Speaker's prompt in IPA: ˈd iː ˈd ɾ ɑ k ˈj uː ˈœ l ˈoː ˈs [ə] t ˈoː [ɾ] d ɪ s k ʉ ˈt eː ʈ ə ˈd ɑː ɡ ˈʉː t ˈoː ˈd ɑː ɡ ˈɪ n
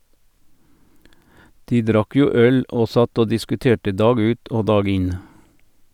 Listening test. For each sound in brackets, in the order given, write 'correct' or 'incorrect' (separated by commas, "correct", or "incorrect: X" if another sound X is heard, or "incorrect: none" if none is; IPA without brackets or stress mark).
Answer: incorrect: ɑ, incorrect: none